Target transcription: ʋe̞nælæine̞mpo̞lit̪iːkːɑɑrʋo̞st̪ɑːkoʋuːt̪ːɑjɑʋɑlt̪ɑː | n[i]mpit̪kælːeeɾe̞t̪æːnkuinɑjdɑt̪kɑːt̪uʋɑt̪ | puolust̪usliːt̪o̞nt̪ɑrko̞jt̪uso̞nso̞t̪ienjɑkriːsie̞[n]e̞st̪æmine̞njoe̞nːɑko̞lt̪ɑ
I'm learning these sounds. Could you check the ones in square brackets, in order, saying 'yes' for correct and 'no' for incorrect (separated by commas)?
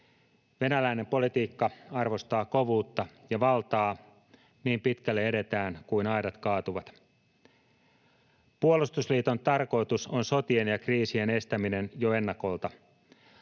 no, yes